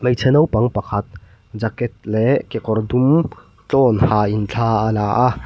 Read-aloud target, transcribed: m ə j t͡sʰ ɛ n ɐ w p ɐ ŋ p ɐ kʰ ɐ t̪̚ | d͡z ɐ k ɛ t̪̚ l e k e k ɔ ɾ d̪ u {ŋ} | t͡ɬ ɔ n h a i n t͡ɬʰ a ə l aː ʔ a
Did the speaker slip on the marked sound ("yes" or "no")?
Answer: yes